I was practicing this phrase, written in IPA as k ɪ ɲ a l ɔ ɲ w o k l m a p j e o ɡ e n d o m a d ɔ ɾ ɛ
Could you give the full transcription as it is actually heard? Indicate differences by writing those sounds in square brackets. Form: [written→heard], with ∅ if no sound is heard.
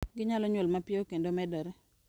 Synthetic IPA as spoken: [k→ɡ] ɪ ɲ a l ɔ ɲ w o [k→∅] l m a p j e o [ɡ→k] e n d o m [a→ɛ] d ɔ ɾ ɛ